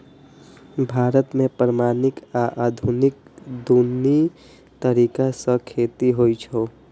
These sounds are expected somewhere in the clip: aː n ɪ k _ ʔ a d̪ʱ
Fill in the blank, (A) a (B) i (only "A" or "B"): A